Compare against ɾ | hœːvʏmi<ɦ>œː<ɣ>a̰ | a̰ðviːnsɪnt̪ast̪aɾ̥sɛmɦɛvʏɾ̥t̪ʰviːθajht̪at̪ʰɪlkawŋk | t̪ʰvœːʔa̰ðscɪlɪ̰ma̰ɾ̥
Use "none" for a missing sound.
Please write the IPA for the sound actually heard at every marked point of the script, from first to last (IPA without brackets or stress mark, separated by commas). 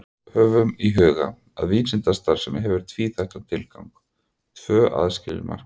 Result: ɦ, ɣ